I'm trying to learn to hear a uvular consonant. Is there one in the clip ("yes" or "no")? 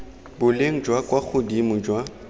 no